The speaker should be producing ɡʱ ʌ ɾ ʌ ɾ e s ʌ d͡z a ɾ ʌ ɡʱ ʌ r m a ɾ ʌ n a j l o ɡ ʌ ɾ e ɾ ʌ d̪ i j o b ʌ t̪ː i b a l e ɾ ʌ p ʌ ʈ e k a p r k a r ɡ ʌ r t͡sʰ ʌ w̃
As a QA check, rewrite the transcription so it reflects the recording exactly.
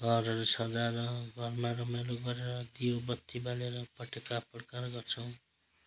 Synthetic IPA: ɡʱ ʌ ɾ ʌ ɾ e s ʌ d͡z a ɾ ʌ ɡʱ ʌ r m a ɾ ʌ m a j l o ɡ ʌ ɾ e ɾ ʌ d̪ i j o b ʌ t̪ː i b a l e ɾ ʌ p ʌ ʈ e k a p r k a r ɡ ʌ r t͡sʰ ʌ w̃